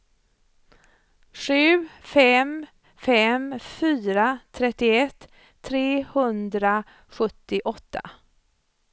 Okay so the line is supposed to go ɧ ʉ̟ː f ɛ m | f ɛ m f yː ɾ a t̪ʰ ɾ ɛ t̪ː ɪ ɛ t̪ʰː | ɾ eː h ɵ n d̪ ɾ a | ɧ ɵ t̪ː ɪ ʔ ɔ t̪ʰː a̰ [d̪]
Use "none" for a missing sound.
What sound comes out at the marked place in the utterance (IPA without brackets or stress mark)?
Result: none